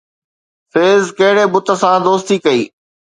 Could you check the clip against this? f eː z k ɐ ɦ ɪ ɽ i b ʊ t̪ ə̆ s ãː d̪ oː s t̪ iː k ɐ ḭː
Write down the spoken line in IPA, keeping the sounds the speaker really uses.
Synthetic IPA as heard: f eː z k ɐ ɦ ɪ ɽ e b ʊ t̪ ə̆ s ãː d̪ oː s t̪ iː k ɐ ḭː